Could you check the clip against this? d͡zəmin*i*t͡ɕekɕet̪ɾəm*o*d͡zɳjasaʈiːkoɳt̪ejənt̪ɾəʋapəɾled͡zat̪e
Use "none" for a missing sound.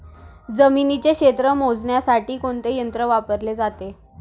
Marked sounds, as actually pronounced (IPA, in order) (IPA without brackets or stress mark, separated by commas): i, o